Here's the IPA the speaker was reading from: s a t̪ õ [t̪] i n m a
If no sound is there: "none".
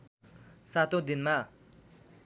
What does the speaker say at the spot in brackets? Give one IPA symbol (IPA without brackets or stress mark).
d̪